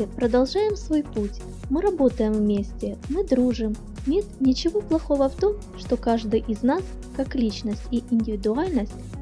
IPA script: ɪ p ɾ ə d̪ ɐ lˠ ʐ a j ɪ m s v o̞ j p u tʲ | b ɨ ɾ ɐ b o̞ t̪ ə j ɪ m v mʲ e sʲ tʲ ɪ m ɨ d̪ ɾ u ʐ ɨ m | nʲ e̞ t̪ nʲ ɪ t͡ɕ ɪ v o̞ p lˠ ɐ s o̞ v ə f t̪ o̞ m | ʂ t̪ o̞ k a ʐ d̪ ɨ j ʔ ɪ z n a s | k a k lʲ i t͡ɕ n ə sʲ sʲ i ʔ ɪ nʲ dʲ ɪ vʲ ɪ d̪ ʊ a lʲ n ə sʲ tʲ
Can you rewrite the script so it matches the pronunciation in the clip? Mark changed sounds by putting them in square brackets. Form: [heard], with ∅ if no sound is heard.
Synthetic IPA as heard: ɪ p ɾ ə d̪ ɐ lˠ ʐ a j ɪ m s v o̞ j p u tʲ | [m] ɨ ɾ ɐ b o̞ t̪ ə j ɪ m v mʲ e sʲ tʲ ɪ m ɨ d̪ ɾ u ʐ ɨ m | nʲ e̞ t̪ nʲ ɪ t͡ɕ ɪ v o̞ p lˠ ɐ [x] o̞ v ə f t̪ o̞ m | ʂ t̪ o̞ k a ʐ d̪ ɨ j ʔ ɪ z n a s | k a k lʲ i t͡ɕ n ə sʲ [tʲ] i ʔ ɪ nʲ dʲ ɪ vʲ ɪ d̪ ʊ a lʲ n ə sʲ tʲ